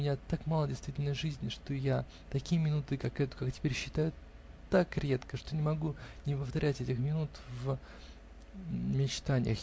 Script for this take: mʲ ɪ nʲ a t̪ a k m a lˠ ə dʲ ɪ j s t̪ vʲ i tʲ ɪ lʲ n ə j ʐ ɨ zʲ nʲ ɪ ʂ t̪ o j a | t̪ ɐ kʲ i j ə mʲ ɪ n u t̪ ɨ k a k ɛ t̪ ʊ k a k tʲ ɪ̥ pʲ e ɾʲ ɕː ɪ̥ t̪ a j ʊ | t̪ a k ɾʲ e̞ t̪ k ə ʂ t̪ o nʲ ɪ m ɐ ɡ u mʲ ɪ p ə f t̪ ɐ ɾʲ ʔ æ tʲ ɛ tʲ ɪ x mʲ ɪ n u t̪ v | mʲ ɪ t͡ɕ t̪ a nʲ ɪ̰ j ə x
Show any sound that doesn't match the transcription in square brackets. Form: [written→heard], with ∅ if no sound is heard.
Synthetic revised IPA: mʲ ɪ nʲ a t̪ a k m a lˠ ə dʲ ɪ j s t̪ vʲ i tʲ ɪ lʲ n ə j ʐ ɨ zʲ nʲ ɪ ʂ t̪ o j a | t̪ ɐ kʲ i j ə mʲ ɪ n u t̪ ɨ k a k ɛ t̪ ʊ k a k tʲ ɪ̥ pʲ e ɾʲ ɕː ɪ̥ t̪ a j ʊ | t̪ a k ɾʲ e̞ t̪ k ə ʂ t̪ o nʲ ɪ m ɐ ɡ u [mʲ→nʲ] ɪ p ə f t̪ ɐ ɾʲ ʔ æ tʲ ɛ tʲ ɪ x mʲ ɪ n u t̪ v | mʲ ɪ t͡ɕ t̪ a nʲ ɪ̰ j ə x